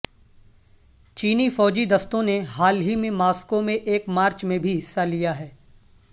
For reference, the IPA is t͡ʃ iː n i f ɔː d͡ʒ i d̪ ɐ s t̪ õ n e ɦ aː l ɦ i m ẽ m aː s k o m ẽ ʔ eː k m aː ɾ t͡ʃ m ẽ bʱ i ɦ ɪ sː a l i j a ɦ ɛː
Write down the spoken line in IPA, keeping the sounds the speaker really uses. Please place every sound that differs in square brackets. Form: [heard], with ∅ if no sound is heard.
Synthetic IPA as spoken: t͡ʃ iː n i f ɔː d͡ʒ i d̪ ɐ s t̪ õ n e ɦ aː l ɦ i m ẽ m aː s k o m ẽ ʔ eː k m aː ɾ t͡ʃ m ẽ bʱ i ɦ ɪ sː a l i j a ɦ ɛː

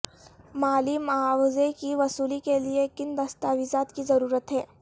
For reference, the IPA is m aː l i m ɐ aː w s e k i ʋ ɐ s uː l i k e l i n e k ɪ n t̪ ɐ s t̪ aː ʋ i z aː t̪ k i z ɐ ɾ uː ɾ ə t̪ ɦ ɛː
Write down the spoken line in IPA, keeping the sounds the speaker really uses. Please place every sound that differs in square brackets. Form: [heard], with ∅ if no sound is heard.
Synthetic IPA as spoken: m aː l i m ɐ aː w [z] e k i ʋ ɐ s uː l i k e l i [∅] e k ɪ n [d̪] ɐ s t̪ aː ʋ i z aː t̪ k i z ɐ ɾ uː ɾ ə t̪ ɦ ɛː

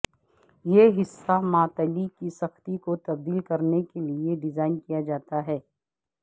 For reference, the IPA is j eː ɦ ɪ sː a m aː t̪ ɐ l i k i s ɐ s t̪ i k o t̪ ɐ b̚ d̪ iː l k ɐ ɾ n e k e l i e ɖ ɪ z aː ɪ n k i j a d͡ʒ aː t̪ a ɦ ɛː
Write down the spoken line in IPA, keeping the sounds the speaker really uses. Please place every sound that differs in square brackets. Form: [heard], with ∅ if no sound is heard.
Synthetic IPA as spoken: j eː ɦ ɪ sː a m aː t̪ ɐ l i k i s ɐ [x] t̪ i k o t̪ ɐ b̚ d̪ iː l k ɐ ɾ n e k e l i e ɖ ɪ z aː ɪ n k i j a d͡ʒ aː t̪ a ɦ ɛː

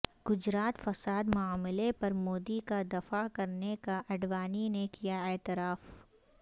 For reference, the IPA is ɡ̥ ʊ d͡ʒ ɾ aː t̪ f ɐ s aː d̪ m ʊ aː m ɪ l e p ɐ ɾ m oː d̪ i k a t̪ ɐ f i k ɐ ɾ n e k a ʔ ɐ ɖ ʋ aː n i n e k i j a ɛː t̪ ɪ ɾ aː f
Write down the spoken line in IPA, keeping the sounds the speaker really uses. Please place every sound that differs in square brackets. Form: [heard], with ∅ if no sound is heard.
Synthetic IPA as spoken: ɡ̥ ʊ d͡ʒ ɾ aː t̪ f ɐ s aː d̪ m ʊ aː m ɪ l e p ɐ ɾ m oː d̪ i k a [d̪] ɐ f [a] k ɐ ɾ n e k a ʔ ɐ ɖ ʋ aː n i n e k i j a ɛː t̪ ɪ ɾ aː f

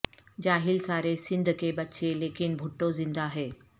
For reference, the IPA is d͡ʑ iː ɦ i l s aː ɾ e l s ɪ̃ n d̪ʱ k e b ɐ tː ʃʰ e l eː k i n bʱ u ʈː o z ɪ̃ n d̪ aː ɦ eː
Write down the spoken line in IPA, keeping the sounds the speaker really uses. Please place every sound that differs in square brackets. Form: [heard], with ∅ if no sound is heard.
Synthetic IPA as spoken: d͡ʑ [aː] ɦ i l s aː ɾ e [∅] s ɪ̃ n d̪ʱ k e b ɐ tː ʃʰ e l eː k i n bʱ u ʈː o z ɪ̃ n d̪ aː ɦ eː

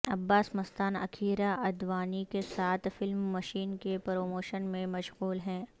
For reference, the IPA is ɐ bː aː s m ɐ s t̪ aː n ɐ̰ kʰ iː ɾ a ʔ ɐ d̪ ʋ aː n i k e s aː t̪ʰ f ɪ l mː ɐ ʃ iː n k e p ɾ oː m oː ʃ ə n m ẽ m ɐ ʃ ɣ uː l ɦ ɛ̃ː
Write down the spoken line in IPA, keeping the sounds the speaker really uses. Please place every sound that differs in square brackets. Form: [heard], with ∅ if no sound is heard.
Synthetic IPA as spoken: ɐ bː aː s m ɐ s t̪ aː n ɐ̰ kʰ iː ɾ a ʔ ɐ d̪ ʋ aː n i k e s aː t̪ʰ f ɪ l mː ɐ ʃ iː n k e p ɾ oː m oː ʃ ə n m ẽ m ɐ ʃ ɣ uː l ɦ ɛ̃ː

